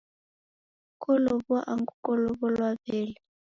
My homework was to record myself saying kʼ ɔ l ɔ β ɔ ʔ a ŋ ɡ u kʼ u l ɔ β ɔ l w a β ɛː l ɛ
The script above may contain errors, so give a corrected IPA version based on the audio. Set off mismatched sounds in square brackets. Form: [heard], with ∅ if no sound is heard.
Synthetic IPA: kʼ ɔ l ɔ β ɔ ʔ a ŋ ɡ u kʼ [ɔ] l ɔ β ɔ l w a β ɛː l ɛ